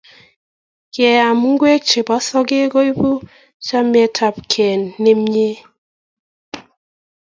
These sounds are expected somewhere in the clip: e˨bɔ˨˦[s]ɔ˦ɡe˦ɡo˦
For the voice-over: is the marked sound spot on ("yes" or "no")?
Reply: yes